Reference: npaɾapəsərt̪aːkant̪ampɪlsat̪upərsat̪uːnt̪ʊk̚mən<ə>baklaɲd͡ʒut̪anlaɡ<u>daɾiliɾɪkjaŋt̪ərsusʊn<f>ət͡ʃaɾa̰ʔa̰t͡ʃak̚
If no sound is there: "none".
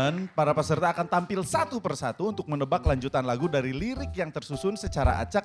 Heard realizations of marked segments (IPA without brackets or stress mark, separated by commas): ə, u, s